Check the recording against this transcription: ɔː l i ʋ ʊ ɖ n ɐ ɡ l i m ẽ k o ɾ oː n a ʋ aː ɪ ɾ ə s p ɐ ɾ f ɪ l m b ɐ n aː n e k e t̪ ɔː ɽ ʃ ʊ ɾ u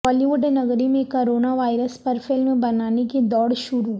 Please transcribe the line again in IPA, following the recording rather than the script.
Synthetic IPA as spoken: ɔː l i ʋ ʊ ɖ n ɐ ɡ ɾ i m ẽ k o ɾ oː n a ʋ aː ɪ ɾ ə s p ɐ ɾ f ɪ l m b ɐ n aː n e k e d̪ ɔː ɽ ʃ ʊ ɾ u